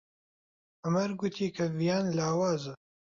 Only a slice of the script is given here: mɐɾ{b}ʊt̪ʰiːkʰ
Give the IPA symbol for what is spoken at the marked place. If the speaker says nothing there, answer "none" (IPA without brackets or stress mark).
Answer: ɡ